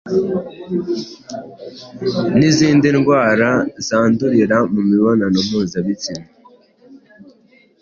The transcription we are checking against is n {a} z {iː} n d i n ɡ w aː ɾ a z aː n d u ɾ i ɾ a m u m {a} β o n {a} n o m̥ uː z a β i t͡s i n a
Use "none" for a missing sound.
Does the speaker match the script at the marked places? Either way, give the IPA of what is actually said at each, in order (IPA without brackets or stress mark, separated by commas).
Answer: i, iː, i, a